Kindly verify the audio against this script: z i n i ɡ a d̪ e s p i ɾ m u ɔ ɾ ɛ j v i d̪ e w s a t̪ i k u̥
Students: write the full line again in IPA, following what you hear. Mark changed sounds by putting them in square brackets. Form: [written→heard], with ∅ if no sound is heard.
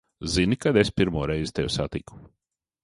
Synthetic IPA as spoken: z i n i [ɡ→k] a d̪ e s p i ɾ m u ɔ ɾ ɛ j [v→z] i [d̪→t̪] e w s a t̪ i k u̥